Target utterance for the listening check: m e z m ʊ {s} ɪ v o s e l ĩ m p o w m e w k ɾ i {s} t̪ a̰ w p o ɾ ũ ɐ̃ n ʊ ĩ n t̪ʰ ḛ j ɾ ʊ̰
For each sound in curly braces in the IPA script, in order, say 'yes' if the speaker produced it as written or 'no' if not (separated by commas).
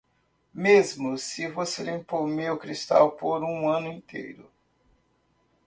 yes, yes